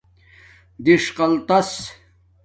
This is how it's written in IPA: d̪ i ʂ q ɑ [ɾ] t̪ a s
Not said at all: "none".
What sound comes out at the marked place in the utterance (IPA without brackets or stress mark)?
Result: l